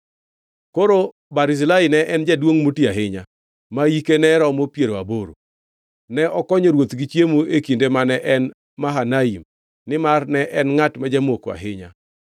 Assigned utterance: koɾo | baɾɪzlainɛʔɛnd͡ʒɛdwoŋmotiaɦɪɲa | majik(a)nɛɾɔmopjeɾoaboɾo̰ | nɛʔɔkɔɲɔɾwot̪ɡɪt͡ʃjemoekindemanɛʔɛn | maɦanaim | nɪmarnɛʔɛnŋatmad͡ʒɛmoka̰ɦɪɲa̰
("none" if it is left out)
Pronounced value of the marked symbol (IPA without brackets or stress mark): e